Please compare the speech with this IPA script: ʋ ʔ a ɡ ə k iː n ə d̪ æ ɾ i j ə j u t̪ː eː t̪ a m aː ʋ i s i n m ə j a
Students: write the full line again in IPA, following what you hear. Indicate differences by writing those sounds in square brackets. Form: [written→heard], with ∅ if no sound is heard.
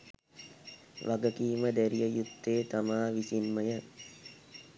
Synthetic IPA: ʋ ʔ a ɡ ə k iː [n→m] ə d̪ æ ɾ i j ə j u t̪ː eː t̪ a m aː ʋ i s i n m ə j [a→ə]